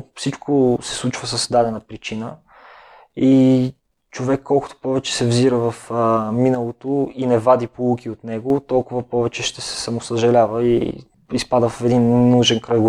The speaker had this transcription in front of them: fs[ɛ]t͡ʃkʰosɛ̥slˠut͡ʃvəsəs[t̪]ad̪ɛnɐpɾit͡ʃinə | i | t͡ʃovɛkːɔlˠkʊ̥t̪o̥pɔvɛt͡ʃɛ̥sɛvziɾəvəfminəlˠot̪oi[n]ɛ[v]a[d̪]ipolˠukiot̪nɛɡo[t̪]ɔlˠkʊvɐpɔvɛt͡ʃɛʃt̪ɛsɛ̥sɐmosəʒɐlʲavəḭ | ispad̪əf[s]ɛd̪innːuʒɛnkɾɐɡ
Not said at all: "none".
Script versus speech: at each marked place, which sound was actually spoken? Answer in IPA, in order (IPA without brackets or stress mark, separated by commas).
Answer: i, d̪, n, v, d̪, t̪, f